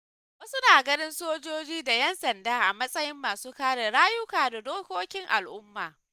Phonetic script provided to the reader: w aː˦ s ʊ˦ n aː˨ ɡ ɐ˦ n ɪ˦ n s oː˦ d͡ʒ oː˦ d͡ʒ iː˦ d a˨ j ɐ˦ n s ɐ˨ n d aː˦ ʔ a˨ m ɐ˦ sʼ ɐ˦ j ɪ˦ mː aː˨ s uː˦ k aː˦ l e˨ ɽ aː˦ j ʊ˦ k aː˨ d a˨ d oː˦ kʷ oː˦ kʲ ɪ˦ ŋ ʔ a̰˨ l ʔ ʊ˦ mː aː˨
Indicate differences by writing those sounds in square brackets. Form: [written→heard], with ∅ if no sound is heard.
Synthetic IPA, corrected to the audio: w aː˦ s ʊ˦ n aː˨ ɡ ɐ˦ n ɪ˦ n s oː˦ d͡ʒ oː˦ d͡ʒ iː˦ d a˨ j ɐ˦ n s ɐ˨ n d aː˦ ʔ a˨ m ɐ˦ sʼ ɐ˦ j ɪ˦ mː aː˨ s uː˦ k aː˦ [l→ɽ] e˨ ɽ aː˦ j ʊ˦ k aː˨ d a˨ d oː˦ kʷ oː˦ kʲ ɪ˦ ŋ ʔ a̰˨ l ʔ ʊ˦ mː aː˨